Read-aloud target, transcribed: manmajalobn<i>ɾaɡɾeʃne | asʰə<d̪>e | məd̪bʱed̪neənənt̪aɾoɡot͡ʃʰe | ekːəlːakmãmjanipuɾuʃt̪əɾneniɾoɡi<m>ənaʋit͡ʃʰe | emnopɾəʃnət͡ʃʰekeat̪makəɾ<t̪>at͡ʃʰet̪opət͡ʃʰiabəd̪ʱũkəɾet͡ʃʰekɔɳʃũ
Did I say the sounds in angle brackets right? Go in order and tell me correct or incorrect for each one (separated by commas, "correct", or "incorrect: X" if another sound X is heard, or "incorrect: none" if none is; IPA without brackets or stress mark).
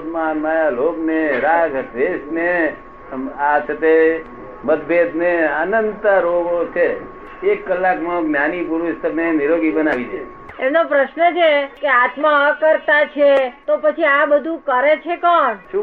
incorrect: e, incorrect: t̪, incorrect: b, correct